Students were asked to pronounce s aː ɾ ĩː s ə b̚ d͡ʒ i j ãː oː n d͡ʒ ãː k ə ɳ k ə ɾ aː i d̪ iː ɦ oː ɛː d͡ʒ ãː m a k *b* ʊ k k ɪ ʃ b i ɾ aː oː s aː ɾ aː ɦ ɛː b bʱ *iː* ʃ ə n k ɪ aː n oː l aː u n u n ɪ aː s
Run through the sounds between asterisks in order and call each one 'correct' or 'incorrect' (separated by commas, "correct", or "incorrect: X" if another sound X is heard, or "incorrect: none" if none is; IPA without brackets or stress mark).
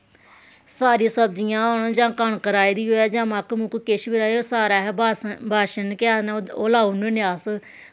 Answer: incorrect: m, incorrect: aː